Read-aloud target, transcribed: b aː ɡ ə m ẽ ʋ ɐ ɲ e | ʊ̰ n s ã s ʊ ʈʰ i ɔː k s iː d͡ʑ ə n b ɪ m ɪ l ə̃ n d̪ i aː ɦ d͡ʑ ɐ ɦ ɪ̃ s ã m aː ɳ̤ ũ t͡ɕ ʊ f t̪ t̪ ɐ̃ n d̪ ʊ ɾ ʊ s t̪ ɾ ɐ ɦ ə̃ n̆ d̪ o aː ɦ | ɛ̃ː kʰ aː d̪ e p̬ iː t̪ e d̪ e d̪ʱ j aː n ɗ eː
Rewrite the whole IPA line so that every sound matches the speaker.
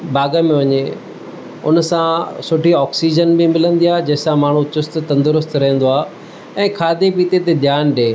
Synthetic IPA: b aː ɡ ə m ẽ ʋ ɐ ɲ e | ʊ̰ n s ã s ʊ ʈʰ i ɔː k s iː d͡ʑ ə n b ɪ m ɪ l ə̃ n d̪ i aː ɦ d͡ʑ ɐ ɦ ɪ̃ s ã m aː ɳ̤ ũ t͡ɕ ʊ s t̪ t̪ ɐ̃ n d̪ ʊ ɾ ʊ s t̪ ɾ ɐ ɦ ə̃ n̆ d̪ o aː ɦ | ɛ̃ː kʰ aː d̪ e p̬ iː t̪ e t̪ e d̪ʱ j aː n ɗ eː